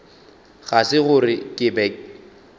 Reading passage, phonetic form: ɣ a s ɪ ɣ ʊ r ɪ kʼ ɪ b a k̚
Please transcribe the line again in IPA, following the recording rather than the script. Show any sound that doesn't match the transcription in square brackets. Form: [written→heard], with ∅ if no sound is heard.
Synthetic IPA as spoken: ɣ a s ɪ ɣ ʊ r ɪ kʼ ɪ b [a→ɛ] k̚